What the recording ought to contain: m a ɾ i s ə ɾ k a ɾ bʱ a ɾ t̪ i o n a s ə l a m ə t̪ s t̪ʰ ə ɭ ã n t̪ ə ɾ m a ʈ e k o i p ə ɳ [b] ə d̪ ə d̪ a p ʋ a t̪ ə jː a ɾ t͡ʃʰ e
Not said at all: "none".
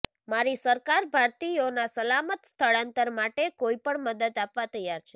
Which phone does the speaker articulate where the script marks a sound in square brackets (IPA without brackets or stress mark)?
m